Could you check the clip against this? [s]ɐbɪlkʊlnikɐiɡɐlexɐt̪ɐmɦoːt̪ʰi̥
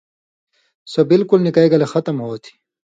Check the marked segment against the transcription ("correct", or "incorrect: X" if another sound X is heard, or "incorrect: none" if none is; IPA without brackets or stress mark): correct